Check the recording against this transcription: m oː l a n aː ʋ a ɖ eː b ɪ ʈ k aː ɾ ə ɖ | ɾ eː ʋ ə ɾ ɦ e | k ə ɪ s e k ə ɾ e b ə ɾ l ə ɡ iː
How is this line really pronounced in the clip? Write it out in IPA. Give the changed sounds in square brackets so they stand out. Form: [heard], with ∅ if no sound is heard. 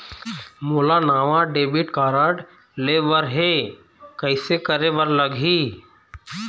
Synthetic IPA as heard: m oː l a n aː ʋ a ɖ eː b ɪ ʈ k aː ɾ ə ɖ | [l] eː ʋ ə ɾ ɦ e | k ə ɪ s e k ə ɾ e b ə ɾ l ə ɡ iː